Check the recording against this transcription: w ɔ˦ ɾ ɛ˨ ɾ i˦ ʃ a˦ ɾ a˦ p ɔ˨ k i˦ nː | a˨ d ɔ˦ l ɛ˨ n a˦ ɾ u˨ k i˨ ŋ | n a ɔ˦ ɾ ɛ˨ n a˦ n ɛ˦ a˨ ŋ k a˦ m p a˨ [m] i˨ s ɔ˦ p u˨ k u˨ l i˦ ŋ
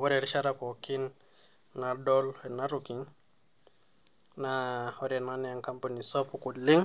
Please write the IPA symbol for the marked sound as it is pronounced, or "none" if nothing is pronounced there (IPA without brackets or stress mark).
n